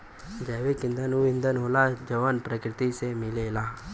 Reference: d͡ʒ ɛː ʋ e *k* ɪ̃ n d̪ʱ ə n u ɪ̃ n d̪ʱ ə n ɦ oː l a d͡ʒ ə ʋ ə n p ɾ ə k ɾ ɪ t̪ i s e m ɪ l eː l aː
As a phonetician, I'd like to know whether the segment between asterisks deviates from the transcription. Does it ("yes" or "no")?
no